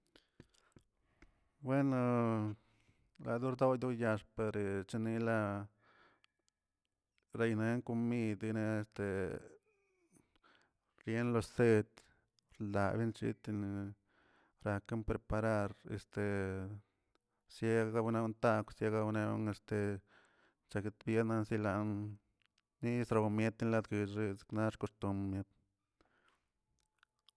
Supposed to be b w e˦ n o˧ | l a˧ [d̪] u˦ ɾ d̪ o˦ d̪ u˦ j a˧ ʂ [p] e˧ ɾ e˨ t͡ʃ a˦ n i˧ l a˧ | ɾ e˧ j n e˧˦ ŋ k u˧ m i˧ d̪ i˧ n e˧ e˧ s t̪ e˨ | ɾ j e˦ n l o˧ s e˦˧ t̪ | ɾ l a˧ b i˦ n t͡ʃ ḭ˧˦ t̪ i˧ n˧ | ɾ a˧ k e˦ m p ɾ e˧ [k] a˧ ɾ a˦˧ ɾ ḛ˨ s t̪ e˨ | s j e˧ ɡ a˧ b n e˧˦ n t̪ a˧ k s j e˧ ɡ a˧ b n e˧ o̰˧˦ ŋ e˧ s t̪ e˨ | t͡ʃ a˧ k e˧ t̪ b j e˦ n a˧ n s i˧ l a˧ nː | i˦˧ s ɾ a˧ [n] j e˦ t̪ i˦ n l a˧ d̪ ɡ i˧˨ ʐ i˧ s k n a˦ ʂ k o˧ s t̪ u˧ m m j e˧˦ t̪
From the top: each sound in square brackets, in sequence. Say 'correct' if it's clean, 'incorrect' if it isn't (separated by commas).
correct, correct, incorrect, incorrect